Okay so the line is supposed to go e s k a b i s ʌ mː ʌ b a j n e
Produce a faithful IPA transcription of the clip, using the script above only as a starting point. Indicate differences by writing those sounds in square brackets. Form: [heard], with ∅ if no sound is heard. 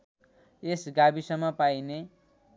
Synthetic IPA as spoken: e s [ɡ] a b i s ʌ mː ʌ [p] a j n e